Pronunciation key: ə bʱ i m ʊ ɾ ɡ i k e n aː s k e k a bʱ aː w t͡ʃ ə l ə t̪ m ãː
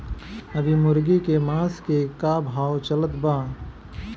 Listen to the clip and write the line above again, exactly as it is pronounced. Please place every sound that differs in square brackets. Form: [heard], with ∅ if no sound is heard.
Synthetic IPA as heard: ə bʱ i m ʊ ɾ ɡ i k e [m] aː s k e k a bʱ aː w t͡ʃ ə l ə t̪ [b] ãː